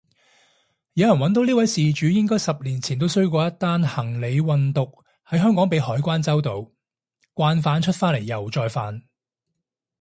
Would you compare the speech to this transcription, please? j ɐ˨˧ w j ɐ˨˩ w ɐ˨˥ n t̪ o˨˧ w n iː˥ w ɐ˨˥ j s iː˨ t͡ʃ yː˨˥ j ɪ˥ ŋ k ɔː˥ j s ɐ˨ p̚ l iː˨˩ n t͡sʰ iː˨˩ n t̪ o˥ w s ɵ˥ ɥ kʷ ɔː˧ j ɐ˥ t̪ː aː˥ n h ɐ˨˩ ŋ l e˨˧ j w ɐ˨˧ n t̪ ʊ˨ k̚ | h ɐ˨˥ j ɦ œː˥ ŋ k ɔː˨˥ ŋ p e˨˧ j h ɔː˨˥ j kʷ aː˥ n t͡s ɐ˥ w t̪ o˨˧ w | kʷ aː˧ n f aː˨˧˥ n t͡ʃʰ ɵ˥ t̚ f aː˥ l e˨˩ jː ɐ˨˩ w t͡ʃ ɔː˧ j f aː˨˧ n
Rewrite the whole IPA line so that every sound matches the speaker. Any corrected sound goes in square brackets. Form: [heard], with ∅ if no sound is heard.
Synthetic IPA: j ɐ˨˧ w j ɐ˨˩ w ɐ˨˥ n t̪ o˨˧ w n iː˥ w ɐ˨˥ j s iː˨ t͡ʃ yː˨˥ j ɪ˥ ŋ k ɔː˥ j s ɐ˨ p̚ l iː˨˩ n t͡sʰ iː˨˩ n t̪ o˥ w s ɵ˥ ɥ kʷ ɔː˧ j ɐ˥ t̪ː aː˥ n h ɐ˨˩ ŋ l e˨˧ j w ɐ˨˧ n t̪ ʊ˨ k̚ | h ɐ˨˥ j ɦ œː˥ ŋ k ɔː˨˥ ŋ p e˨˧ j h ɔː˨˥ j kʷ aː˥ n t͡s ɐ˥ w t̪ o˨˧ w | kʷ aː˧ n f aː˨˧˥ n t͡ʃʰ ɵ˥ t̚ f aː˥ l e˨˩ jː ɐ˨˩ w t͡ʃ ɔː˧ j f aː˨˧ n

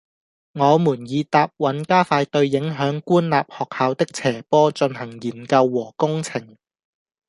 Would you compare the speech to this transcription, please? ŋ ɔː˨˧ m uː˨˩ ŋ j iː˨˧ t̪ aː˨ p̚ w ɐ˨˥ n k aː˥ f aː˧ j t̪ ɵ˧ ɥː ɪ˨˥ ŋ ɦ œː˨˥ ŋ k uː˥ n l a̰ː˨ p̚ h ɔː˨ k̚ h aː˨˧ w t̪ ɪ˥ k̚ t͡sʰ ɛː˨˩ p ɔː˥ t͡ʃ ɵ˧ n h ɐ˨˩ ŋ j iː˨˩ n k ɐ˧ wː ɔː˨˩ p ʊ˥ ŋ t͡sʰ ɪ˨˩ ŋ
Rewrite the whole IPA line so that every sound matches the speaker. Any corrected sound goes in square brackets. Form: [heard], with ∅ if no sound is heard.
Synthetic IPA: ŋ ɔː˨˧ m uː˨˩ [n] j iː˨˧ t̪ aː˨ p̚ w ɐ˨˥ n k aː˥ f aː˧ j t̪ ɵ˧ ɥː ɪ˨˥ ŋ ɦ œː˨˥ ŋ k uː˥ n l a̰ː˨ p̚ h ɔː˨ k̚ h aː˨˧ w t̪ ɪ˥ k̚ t͡sʰ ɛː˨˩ p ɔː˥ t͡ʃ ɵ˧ n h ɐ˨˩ ŋ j iː˨˩ n k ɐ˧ wː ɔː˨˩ [k] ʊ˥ ŋ t͡sʰ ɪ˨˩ ŋ

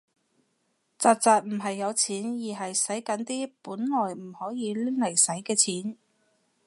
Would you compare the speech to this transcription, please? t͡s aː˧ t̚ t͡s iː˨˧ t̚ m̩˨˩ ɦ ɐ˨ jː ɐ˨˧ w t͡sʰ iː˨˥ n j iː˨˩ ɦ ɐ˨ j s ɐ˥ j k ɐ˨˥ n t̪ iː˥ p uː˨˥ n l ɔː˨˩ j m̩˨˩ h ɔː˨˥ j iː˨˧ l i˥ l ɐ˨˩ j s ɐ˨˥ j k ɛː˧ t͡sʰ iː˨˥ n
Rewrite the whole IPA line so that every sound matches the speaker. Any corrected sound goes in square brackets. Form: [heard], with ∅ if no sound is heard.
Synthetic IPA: t͡s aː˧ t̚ t͡s [aː˨˧] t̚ m̩˨˩ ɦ ɐ˨ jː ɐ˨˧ w t͡sʰ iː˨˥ n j iː˨˩ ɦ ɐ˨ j s [ɐ˨˥] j k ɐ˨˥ n t̪ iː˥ p uː˨˥ n l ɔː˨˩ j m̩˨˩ h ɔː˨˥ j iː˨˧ l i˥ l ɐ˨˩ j s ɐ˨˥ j k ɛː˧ t͡sʰ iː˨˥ n

